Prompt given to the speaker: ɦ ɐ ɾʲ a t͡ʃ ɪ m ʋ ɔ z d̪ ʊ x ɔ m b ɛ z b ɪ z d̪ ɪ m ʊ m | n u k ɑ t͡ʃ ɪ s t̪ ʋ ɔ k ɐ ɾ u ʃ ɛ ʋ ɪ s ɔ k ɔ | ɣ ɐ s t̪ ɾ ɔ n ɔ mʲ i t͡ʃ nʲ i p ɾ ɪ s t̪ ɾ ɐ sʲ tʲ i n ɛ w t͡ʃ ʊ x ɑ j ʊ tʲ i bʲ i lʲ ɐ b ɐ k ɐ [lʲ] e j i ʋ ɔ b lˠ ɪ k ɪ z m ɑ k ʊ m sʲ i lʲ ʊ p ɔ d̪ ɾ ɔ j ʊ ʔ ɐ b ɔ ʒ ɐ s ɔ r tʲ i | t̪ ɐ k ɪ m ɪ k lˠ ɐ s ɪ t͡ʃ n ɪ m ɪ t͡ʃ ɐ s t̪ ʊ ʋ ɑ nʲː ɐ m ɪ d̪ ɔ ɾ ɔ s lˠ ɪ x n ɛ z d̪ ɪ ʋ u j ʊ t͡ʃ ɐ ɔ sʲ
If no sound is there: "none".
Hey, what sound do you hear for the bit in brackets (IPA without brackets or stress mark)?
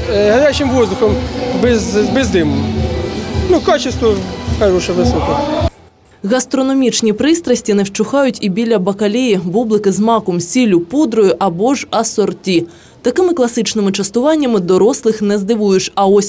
lʲ